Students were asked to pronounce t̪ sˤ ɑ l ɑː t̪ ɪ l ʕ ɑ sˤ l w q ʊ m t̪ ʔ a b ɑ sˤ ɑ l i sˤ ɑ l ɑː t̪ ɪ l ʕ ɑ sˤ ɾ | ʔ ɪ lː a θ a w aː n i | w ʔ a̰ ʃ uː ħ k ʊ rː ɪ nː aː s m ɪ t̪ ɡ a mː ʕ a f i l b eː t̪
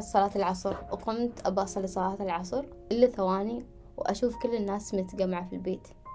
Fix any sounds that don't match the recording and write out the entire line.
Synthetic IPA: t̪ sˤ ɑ l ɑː t̪ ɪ l ʕ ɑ sˤ ɾ w q ʊ m t̪ ʔ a b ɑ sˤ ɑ l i sˤ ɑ l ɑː t̪ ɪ l ʕ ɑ sˤ ɾ | ʔ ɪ lː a θ a w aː n i | w ʔ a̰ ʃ uː f k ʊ lː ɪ nː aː s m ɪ t̪ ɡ a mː ʕ a f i l b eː t̪